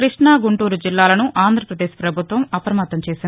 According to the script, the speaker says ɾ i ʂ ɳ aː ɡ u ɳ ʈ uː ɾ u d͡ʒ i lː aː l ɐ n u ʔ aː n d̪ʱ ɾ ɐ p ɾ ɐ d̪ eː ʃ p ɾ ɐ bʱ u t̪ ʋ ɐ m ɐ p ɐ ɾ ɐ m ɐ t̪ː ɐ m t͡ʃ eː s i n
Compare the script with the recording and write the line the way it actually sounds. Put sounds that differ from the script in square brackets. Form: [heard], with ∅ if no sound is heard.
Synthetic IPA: ɾ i ʂ ɳ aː ɡ u ɳ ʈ uː ɾ u d͡ʒ i lː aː l ɐ n u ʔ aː n d̪ʱ ɾ ɐ p ɾ ɐ d̪ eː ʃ p ɾ ɐ bʱ u t̪ ʋ ɐ m ɐ p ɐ ɾ ɐ m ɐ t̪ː ɐ m t͡ʃ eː s i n